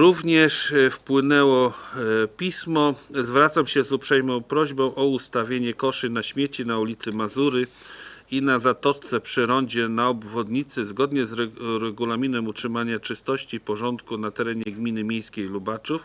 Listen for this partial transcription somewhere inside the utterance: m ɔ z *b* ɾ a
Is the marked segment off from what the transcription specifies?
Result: yes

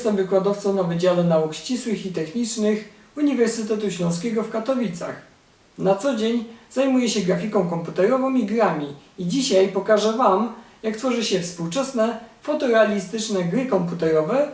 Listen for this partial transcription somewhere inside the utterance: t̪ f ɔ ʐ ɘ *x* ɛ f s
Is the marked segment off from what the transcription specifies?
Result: yes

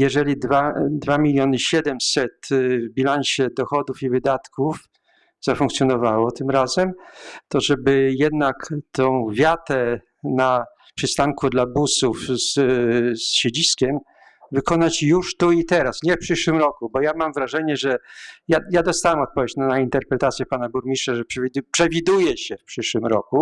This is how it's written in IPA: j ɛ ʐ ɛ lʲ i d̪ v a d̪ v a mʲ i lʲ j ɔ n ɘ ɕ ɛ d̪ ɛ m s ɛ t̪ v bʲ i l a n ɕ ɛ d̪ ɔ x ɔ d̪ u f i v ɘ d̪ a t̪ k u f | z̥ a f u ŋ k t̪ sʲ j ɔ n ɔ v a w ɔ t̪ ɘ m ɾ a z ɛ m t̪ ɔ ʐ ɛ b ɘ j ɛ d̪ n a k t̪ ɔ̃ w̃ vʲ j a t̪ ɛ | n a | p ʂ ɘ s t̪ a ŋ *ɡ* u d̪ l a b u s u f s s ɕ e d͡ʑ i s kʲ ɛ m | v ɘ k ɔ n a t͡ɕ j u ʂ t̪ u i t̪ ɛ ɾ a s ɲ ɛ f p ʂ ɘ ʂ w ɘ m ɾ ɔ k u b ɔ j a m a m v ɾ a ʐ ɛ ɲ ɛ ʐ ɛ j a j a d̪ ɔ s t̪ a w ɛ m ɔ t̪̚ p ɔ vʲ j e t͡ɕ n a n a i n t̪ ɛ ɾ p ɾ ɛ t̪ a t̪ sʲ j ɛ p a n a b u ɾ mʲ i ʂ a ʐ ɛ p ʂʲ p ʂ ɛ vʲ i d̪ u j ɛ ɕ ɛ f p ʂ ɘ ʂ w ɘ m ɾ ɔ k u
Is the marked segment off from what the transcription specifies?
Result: yes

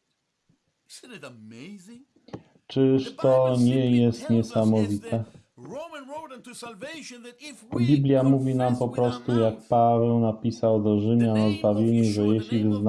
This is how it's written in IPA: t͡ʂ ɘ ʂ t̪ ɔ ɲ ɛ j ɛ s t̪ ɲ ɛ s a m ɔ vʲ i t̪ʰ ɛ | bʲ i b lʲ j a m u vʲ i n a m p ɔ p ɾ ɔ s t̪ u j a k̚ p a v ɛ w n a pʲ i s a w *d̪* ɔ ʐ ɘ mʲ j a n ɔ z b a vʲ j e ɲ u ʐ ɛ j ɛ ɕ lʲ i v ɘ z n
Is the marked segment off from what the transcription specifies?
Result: no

